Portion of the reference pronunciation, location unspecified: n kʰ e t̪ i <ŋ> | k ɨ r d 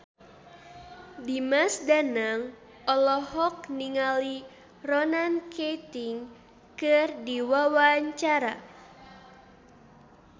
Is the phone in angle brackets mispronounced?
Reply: no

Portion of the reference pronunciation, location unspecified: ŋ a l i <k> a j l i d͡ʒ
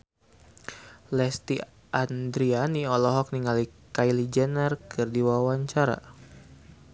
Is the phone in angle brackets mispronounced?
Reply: no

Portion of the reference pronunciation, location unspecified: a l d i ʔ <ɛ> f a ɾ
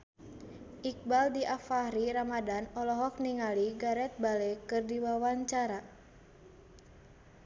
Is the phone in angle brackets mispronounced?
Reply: yes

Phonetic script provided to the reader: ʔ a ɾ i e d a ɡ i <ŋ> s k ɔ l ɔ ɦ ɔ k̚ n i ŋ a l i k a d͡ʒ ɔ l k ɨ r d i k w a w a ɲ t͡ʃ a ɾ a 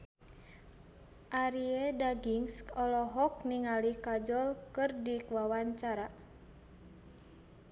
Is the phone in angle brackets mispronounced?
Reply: no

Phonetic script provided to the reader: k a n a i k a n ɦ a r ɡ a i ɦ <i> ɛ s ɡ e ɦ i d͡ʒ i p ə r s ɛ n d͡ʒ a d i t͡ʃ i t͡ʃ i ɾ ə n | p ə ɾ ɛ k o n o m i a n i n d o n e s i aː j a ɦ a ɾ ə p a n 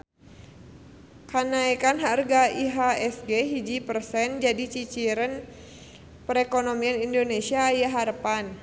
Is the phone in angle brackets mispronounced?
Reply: yes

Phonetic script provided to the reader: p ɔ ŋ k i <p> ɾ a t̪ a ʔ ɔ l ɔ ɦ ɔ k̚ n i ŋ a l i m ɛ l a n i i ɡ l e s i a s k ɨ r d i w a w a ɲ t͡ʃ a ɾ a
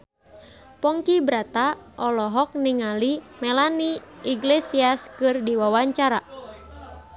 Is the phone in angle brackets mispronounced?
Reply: yes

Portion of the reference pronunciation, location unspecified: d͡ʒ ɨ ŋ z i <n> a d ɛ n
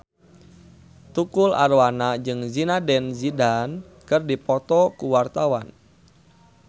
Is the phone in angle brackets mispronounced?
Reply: no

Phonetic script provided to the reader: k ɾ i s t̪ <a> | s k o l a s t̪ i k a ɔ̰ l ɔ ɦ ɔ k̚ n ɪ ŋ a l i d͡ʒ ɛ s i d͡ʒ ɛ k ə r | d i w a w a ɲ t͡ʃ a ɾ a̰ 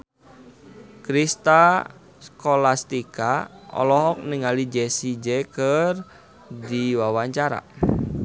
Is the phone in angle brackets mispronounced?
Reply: no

